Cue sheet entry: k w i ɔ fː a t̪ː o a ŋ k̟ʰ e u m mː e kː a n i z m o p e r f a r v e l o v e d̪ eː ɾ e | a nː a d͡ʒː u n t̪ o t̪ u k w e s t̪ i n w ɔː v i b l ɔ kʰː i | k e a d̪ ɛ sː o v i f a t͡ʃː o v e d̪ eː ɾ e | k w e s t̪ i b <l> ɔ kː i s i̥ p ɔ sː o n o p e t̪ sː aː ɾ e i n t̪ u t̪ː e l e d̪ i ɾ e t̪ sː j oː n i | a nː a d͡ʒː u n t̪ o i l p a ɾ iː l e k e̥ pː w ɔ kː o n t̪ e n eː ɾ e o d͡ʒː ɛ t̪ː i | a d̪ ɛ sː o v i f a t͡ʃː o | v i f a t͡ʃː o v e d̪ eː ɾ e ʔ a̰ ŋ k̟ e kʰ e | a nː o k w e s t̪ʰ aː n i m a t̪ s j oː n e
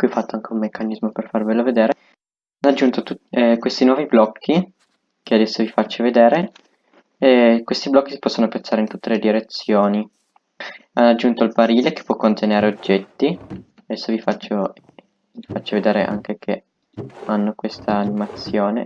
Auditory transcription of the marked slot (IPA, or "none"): l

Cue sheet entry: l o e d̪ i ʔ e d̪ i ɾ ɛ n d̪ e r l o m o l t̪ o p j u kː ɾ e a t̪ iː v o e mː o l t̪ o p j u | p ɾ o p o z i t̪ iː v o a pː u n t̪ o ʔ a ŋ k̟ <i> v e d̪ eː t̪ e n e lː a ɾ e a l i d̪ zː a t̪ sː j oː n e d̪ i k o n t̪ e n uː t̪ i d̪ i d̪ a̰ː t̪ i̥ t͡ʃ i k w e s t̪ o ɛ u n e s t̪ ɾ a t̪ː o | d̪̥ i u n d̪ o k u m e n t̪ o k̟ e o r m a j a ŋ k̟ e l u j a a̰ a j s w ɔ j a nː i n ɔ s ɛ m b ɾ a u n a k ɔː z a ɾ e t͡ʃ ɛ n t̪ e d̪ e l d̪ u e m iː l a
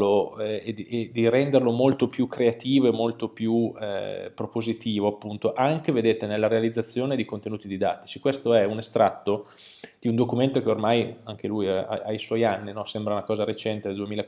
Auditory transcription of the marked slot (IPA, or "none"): e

